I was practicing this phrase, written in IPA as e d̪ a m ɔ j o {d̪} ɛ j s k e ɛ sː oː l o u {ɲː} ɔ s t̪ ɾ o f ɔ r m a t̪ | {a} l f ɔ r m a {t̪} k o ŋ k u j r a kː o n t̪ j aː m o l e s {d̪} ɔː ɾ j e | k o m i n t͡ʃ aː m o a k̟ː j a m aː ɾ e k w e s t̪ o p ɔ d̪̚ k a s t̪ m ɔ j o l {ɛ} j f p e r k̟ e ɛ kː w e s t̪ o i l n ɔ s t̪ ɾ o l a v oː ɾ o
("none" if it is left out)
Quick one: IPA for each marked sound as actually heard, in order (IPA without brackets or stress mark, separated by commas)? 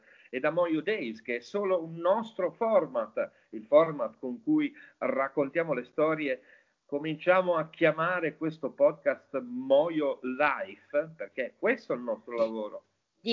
d̪, nː, i, t̪, t̪, a